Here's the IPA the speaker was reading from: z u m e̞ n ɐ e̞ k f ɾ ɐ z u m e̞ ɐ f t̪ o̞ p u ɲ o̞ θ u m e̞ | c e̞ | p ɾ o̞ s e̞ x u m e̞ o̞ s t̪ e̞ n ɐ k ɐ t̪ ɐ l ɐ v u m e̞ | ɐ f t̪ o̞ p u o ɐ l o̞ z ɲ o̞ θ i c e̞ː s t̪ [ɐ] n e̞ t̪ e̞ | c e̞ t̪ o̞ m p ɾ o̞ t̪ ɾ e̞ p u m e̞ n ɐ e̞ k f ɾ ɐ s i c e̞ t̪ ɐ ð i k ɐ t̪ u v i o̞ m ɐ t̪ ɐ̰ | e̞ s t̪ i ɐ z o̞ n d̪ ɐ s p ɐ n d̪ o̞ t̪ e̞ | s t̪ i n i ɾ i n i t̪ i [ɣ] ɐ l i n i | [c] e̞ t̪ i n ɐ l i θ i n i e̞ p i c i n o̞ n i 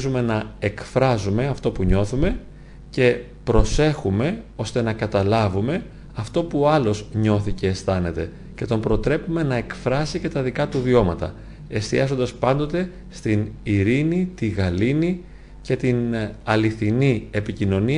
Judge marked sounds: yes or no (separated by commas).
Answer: yes, yes, yes